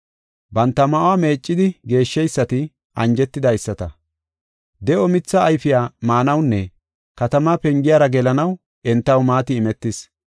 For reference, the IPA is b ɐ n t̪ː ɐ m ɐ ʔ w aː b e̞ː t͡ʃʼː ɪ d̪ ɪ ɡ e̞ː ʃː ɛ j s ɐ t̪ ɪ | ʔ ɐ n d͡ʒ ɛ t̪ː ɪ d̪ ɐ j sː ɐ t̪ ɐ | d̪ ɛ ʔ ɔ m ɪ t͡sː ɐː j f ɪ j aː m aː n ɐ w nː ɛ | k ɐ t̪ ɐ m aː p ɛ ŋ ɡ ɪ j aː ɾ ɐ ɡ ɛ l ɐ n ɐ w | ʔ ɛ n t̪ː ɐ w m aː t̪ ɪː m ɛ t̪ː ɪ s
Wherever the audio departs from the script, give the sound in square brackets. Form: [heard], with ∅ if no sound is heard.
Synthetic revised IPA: b ɐ n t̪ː ɐ m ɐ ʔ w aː [m] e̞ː t͡ʃʼː ɪ d̪ ɪ ɡ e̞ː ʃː ɛ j [sː] ɐ t̪ ɪ | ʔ ɐ n d͡ʒ ɛ t̪ː ɪ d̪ ɐ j sː ɐ t̪ ɐ | d̪ ɛ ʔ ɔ m ɪ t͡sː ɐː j f ɪ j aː m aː n ɐ w nː ɛ | k ɐ t̪ ɐ m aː p ɛ ŋ ɡ ɪ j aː ɾ ɐ ɡ ɛ l ɐ n ɐ w | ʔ ɛ n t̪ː ɐ w m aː t̪ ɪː m ɛ t̪ː ɪ s